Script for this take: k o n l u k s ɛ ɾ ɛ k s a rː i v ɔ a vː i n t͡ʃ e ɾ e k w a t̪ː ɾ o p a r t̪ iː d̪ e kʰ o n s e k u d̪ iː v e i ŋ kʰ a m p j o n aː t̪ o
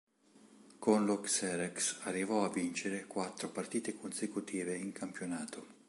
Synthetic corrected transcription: k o n l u k s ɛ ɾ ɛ k s a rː i v ɔ a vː i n t͡ʃ e ɾ e k w a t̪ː ɾ o p a r t̪ iː t̪ e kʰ o n s e k u t̪ iː v e i ŋ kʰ a m p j o n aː t̪ o